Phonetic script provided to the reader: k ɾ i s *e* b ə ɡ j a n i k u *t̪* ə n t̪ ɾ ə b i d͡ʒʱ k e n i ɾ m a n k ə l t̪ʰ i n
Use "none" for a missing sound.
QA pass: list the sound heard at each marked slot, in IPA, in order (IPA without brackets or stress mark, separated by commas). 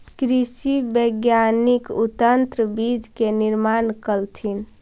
i, t̪